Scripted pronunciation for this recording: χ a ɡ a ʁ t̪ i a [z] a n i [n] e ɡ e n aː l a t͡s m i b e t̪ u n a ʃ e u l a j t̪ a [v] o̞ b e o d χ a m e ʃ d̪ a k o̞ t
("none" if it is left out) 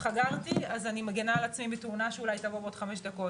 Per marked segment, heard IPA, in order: z, m, v

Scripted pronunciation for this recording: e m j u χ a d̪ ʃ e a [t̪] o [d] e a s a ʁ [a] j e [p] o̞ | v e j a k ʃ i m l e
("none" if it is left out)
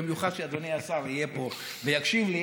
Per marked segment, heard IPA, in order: d̪, n, i, p

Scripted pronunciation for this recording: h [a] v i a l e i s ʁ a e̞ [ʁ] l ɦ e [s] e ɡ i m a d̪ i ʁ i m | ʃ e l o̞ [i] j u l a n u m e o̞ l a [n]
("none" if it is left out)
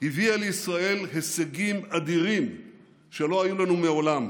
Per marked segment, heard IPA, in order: i, none, s, a, m

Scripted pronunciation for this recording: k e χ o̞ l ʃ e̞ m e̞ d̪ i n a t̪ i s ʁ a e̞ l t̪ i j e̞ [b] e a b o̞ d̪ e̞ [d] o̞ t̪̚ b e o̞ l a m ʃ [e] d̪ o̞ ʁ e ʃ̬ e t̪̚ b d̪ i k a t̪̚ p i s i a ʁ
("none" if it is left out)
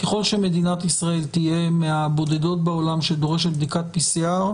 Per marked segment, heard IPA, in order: m, d, e

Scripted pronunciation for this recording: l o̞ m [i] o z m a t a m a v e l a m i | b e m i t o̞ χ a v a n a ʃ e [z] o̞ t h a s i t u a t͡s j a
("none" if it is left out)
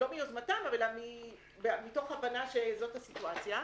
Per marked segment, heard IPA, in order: i, z

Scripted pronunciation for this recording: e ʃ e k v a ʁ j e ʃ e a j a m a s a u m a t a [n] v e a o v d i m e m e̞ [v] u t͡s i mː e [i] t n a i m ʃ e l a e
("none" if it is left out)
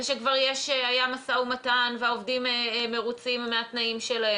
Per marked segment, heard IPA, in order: n, ʁ, a

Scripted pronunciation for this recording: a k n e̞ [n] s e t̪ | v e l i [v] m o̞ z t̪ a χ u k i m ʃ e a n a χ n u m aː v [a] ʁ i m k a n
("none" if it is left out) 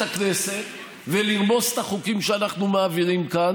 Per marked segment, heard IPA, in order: none, ʁ, i

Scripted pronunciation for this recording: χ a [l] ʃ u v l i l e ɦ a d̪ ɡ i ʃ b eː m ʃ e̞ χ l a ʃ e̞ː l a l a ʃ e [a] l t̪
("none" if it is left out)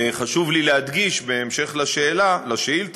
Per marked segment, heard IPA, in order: none, i

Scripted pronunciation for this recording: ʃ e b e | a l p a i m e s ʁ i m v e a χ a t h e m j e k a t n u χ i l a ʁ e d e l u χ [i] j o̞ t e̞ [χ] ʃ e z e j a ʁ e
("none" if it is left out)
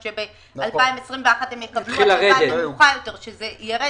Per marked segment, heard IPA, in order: a, ʁ

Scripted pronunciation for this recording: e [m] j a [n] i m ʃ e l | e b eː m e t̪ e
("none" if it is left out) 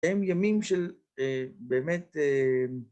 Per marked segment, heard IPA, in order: m, m

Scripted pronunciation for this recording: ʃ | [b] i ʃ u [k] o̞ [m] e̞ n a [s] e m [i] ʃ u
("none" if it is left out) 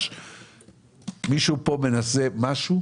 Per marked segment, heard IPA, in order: m, p, m, s, a

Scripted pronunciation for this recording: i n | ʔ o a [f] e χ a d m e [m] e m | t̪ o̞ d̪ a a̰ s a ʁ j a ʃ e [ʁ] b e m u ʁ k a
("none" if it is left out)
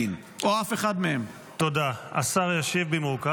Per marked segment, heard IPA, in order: f, none, v

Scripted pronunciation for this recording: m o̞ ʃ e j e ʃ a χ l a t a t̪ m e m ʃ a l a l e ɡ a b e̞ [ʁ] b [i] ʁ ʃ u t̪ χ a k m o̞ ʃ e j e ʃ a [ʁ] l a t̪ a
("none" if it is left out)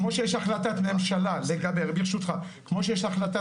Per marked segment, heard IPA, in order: ʁ, i, χ

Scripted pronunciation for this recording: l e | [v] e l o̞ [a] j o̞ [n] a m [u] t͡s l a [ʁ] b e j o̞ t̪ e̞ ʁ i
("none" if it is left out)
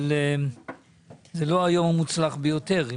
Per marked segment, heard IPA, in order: z, a, m, u, χ

